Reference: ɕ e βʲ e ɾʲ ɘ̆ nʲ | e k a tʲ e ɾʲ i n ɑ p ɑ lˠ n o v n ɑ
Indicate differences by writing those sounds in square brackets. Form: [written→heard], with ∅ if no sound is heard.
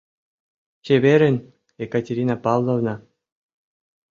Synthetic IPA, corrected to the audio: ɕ e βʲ e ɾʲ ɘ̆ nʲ | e k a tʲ e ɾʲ i n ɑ p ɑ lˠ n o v n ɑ